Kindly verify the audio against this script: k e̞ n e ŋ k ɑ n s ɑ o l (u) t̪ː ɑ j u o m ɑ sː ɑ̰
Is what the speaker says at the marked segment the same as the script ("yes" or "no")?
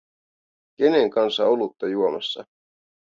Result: yes